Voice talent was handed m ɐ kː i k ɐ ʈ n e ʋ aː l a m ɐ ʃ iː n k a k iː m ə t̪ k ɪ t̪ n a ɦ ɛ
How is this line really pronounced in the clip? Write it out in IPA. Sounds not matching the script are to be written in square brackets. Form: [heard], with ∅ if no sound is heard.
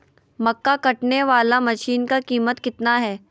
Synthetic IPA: m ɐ kː [a] k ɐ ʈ n e ʋ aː l a m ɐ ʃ iː n k a k iː m ə t̪ k ɪ t̪ n a ɦ [ɛː]